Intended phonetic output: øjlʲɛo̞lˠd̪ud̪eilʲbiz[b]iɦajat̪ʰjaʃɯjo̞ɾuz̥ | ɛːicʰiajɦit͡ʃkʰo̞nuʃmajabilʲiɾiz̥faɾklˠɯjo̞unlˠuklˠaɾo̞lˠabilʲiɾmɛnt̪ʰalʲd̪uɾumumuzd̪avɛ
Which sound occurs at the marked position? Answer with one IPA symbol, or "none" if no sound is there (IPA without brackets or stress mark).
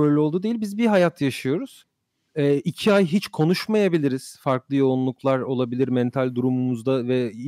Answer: b